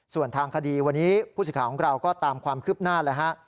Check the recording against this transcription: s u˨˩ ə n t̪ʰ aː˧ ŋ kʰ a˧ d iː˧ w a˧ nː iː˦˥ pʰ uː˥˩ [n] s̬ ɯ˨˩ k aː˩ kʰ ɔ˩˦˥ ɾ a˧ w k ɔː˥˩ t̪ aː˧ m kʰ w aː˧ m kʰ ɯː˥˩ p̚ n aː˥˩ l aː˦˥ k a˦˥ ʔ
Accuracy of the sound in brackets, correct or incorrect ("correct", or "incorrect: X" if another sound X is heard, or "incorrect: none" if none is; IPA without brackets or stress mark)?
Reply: incorrect: none